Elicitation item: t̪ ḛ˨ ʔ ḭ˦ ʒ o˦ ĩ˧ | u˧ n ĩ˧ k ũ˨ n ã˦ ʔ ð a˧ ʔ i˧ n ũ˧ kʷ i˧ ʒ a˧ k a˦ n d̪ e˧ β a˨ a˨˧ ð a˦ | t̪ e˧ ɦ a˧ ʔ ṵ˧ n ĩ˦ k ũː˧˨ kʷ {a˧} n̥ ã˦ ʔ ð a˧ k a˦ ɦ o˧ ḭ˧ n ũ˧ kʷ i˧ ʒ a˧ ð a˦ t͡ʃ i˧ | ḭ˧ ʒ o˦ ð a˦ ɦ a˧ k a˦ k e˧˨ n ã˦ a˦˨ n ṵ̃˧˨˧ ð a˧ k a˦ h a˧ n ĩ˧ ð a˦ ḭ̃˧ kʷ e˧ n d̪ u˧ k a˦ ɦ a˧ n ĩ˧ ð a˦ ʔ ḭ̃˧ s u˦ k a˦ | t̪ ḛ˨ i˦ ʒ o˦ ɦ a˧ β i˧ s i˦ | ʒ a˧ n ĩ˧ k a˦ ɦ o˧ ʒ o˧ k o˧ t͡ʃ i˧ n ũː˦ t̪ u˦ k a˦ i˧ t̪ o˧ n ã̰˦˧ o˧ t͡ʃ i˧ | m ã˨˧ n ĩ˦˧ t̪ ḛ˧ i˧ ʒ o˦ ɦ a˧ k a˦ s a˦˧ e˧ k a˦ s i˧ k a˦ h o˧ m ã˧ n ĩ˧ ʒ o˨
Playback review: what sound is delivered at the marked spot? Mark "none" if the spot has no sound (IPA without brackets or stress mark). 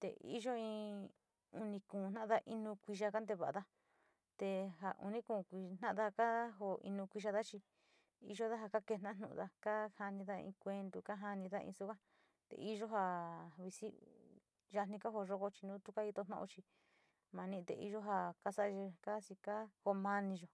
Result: i˧